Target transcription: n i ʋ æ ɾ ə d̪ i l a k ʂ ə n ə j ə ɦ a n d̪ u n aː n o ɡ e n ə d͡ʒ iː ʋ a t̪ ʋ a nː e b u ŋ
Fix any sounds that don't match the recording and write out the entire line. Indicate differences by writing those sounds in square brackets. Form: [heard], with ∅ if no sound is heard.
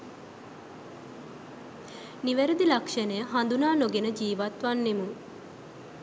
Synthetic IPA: n i ʋ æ ɾ ə d̪ i l a k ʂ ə n ə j ə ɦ a n d̪ u n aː n o ɡ e n ə d͡ʒ iː ʋ a t̪ ʋ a nː e [m] u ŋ